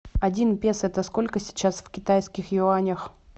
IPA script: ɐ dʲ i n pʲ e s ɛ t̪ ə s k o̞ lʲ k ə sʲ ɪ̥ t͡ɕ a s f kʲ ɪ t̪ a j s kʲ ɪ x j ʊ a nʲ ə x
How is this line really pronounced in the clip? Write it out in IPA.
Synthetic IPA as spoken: ɐ dʲ i n pʲ e s ɛ t̪ ə s k o̞ lʲ k ə sʲ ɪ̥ t͡ɕ a s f kʲ ɪ t̪ a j s kʲ ɪ x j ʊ a nʲ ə x